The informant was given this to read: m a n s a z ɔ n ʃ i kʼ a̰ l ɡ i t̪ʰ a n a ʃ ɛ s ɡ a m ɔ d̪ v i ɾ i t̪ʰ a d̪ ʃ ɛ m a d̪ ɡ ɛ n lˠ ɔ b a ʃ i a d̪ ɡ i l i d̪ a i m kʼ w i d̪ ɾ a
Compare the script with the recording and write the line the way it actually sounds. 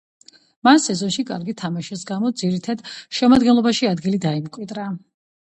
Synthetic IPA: m a n s ɛ z ɔ n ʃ i kʼ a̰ ɾ ɡ i t̪ʰ a m a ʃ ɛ s ɡ a m ɔ d̪ z i ɾ i t̪ʰ a d̪ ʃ ɛ m a d̪ ɡ ɛ n lˠ ɔ b a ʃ i a d̪ ɡ i l i d̪ a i m kʼ w i d̪ ɾ a